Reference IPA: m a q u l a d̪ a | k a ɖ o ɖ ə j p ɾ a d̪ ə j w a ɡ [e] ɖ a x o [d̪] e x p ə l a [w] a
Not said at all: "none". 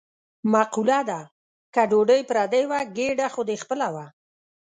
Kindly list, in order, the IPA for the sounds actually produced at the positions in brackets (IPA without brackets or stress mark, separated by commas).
e, d̪, w